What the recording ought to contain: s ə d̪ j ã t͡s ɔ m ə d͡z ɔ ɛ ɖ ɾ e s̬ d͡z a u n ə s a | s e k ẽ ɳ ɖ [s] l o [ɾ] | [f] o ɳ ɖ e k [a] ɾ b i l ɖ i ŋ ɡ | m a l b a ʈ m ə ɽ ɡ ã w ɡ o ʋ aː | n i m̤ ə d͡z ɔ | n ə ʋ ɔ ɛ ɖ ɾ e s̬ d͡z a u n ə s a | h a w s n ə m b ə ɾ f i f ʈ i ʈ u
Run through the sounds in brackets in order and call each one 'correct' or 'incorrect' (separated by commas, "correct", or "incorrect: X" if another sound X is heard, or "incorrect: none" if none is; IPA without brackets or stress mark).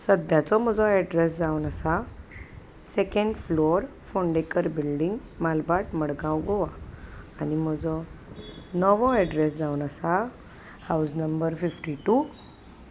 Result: incorrect: f, correct, correct, incorrect: ə